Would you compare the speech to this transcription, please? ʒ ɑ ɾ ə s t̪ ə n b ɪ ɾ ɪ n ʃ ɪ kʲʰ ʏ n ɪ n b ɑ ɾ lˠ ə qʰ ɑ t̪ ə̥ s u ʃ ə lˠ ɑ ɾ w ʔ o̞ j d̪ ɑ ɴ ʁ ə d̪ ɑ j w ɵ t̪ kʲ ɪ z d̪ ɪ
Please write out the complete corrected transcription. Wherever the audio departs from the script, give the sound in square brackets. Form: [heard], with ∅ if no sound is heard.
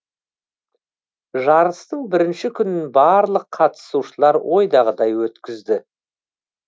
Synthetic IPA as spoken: ʒ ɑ ɾ ə s t̪ ə [ɴ] b ɪ ɾ ɪ n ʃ ɪ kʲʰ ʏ n ɪ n b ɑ ɾ lˠ ə qʰ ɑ t̪ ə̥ s u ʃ ə lˠ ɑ ɾ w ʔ o̞ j d̪ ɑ [∅] ʁ ə d̪ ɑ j w ɵ t̪ kʲ ɪ z d̪ ɪ